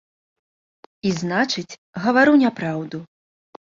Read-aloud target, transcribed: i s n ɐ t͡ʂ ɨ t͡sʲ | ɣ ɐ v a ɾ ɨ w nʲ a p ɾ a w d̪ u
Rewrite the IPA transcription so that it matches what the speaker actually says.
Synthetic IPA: i z n a t͡ʂ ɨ t͡sʲ | ɣ ɐ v a ɾ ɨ w nʲ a p ɾ a w d̪ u